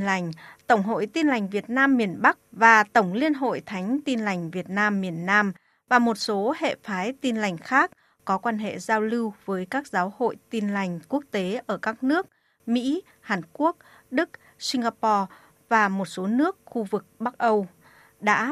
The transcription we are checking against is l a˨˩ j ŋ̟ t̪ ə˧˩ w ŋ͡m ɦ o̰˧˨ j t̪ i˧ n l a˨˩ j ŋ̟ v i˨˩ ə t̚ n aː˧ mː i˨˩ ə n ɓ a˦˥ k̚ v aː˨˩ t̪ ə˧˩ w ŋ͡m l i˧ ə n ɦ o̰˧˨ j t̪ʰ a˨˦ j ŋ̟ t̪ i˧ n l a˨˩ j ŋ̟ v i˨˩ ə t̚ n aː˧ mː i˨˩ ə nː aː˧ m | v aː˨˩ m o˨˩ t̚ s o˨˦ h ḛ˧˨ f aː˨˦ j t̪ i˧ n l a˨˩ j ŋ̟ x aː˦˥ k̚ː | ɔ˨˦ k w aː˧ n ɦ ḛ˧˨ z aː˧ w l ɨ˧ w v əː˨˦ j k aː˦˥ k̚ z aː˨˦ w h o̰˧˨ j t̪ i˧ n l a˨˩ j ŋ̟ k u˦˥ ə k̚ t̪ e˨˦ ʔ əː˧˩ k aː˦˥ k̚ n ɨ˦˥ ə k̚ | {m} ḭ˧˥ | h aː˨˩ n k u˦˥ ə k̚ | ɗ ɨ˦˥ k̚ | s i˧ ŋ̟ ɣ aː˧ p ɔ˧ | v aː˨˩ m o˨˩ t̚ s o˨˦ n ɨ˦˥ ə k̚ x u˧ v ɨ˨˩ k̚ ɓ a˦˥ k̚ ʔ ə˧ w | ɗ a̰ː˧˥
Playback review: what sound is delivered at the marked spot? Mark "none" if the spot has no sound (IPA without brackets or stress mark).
m